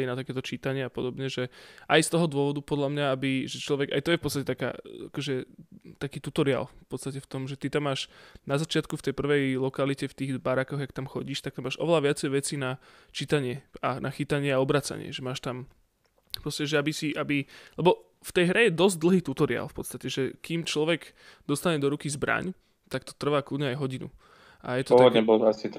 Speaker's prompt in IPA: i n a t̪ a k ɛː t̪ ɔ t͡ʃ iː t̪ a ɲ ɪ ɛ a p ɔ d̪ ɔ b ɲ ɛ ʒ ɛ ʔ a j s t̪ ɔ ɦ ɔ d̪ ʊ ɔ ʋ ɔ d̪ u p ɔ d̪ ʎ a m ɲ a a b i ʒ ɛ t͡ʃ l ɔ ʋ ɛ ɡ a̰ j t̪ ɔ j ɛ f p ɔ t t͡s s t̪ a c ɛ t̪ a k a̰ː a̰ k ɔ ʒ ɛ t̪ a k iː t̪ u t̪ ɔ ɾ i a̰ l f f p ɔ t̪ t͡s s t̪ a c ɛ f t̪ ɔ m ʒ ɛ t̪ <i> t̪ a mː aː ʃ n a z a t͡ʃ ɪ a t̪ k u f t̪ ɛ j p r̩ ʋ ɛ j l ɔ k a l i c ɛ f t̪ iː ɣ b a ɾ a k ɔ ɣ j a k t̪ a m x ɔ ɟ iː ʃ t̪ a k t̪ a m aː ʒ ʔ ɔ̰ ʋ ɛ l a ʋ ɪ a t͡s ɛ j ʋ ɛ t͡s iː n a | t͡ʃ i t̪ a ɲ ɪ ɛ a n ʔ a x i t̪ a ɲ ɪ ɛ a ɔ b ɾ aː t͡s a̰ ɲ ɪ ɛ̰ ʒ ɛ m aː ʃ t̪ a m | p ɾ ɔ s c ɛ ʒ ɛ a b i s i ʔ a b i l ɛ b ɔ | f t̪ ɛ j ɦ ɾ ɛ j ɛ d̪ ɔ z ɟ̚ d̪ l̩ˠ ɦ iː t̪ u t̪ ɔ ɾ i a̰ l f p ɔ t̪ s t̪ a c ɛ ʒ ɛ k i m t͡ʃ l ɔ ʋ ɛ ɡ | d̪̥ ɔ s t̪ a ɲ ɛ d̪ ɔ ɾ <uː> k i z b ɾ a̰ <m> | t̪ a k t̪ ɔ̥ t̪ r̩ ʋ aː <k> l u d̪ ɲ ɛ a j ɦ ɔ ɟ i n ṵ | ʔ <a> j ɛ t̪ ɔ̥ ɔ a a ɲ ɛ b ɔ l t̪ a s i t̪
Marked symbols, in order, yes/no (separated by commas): yes, no, no, yes, yes